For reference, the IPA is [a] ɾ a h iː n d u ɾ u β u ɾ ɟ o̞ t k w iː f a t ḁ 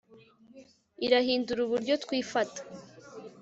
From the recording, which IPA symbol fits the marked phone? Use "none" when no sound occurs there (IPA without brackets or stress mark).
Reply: i